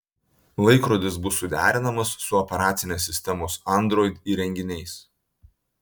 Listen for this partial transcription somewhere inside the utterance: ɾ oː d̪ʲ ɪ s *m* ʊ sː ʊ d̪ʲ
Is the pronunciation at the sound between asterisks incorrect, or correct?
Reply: incorrect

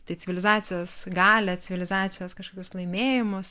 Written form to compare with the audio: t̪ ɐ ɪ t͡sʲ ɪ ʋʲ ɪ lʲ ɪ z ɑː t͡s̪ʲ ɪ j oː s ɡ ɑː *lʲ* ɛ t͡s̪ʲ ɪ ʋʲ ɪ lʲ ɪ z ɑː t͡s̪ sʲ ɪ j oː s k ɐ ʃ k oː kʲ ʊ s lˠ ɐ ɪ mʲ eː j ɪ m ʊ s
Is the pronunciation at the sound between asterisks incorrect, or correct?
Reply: correct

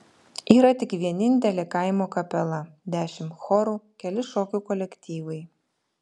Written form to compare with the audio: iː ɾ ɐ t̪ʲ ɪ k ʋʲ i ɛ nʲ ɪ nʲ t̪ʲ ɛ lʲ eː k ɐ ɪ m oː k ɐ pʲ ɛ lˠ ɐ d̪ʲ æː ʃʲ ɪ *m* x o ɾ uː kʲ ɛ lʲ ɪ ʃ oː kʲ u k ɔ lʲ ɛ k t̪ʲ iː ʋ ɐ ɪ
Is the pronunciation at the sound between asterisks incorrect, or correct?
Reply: correct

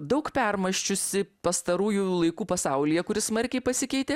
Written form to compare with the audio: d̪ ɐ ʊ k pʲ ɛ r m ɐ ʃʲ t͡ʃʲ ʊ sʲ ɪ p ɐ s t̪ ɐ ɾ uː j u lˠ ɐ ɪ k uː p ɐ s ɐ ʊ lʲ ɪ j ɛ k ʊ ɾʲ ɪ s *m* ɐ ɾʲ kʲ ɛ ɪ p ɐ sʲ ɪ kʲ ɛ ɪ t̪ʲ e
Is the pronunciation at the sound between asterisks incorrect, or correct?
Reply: correct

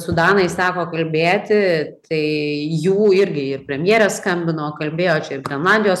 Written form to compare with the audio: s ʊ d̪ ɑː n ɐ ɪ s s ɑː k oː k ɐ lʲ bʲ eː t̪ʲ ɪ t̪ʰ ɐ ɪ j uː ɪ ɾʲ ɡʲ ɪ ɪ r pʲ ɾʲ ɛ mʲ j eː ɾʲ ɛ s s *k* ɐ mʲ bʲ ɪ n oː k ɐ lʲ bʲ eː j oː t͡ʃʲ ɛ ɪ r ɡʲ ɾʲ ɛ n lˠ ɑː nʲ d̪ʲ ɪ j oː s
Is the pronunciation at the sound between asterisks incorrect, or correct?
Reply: correct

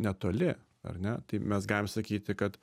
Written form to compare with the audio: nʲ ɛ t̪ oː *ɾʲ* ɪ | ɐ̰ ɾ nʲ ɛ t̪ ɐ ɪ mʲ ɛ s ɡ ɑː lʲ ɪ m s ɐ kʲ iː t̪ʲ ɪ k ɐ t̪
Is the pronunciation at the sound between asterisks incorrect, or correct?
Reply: incorrect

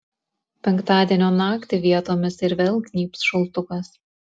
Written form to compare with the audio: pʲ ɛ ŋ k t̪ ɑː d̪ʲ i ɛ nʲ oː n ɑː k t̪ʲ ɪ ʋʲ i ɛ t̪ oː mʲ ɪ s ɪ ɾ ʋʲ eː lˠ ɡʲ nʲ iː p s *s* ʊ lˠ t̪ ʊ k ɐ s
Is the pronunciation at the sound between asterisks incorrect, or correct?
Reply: incorrect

